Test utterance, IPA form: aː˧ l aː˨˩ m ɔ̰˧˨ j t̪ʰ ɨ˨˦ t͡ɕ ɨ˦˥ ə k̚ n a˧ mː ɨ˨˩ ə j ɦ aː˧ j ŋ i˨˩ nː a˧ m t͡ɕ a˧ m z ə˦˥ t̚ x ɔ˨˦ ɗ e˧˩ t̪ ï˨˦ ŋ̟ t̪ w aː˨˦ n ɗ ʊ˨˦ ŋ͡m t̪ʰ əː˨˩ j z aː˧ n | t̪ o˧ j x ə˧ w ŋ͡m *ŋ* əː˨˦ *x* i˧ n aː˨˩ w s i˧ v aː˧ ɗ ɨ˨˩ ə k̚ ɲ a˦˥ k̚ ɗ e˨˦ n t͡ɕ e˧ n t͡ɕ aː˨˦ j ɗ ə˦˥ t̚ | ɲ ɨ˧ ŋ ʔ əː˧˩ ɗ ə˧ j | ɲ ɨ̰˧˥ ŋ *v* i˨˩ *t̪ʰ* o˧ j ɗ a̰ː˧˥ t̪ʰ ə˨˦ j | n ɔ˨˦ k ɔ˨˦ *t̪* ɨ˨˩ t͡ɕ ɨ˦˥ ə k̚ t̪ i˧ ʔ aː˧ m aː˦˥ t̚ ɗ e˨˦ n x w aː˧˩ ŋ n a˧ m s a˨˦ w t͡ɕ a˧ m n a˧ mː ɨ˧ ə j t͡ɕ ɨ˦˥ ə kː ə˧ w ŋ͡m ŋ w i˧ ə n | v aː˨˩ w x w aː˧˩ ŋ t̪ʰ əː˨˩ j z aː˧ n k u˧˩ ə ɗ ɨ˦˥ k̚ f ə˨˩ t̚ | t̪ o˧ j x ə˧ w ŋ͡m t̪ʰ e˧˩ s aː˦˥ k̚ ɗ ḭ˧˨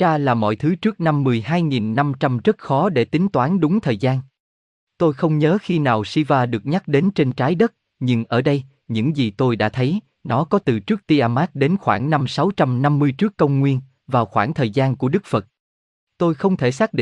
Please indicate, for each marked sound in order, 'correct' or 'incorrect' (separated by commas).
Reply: incorrect, correct, incorrect, incorrect, correct